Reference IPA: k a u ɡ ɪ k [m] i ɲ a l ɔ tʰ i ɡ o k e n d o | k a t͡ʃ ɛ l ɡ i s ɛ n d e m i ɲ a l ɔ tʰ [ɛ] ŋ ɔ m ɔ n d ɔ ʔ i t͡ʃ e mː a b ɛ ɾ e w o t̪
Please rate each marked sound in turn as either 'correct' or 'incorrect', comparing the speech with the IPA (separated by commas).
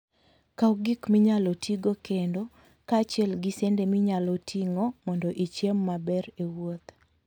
correct, incorrect